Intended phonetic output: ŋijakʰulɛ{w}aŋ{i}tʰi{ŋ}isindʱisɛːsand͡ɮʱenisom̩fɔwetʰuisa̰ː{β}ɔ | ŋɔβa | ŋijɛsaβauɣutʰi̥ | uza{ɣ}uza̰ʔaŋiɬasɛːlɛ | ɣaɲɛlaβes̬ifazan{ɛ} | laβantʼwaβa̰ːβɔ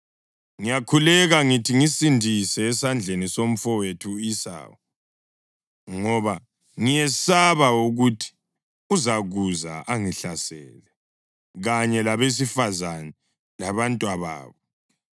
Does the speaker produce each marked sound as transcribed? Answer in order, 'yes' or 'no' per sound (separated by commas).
no, yes, yes, no, yes, yes